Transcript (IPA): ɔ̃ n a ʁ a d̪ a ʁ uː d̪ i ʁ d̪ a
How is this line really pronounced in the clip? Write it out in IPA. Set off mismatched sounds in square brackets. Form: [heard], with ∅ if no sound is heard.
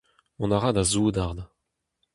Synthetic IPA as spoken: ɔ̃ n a ʁ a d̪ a [z] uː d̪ [a] ʁ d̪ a